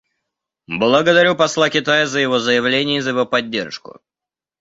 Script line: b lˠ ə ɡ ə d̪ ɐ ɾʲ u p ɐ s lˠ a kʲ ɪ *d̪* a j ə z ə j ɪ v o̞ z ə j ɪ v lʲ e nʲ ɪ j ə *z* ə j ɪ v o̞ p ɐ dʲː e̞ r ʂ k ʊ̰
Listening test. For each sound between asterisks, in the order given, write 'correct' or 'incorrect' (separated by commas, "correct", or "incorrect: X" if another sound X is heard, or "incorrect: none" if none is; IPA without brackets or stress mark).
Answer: incorrect: t̪, correct